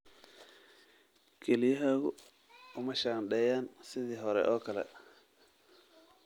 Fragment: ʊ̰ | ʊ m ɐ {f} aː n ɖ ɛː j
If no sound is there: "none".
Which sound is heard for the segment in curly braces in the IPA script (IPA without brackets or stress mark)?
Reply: ʃ